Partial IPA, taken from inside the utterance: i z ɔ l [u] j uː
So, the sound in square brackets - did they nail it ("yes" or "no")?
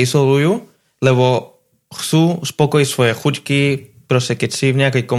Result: yes